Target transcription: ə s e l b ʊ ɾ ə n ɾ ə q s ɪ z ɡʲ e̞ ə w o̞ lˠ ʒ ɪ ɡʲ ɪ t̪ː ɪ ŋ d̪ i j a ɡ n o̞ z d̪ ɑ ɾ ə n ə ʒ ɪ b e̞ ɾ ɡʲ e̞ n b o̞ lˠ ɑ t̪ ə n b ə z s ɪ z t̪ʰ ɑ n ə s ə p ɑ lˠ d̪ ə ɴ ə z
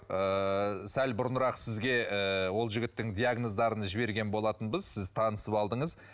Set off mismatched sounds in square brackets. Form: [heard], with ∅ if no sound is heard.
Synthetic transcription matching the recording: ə s [æ] l b ʊ ɾ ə n ɾ [ɑ] q s ɪ z ɡʲ e̞ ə w o̞ lˠ ʒ ɪ ɡʲ ɪ t̪ː ɪ ŋ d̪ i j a ɡ n o̞ z d̪ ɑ ɾ ə n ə ʒ ɪ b e̞ ɾ ɡʲ e̞ n b o̞ lˠ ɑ t̪ ə n b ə z s ɪ z t̪ʰ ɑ n ə s ə p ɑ lˠ d̪ ə ɴ ə z